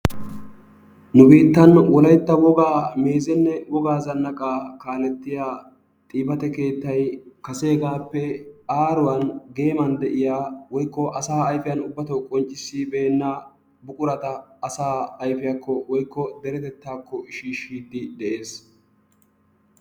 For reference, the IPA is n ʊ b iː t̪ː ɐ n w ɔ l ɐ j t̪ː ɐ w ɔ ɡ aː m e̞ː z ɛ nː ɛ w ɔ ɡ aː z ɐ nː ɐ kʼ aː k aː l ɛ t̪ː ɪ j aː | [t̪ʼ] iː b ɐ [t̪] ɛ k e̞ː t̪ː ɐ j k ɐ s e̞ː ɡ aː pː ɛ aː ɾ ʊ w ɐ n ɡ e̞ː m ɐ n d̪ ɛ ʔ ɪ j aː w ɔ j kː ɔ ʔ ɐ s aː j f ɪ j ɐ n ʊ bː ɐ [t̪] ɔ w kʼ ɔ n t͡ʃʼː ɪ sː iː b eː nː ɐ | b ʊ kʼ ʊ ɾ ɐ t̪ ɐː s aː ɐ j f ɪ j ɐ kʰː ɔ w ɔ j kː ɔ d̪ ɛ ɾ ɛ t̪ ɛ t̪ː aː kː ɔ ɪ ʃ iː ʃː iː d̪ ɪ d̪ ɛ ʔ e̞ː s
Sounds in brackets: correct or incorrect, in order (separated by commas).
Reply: correct, correct, correct